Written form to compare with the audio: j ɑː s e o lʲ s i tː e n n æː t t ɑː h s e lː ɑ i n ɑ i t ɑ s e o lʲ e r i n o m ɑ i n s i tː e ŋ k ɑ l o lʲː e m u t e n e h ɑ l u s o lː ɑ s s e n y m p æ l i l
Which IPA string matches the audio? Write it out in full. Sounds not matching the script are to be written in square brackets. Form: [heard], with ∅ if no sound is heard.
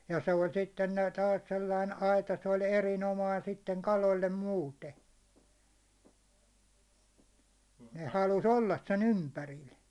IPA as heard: j [ɑ] s e o lʲ s i tː e n n æː t t ɑː [s] s e lː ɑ i n ɑ i t ɑ s e o lʲ e r i n o m ɑ i n s i tː e ŋ k ɑ l o lʲː e m [uː] t e n e h ɑ l u s o lː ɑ s s e n y m p æ [r] i l